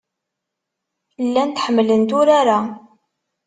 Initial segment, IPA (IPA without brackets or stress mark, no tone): lː